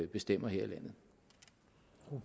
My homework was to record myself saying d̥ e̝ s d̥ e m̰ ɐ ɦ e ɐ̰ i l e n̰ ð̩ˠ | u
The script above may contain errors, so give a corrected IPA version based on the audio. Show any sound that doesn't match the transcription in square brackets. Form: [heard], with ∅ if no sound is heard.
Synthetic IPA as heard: [b̥] e̝ s d̥ e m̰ ɐ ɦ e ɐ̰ i l [æ] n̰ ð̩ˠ | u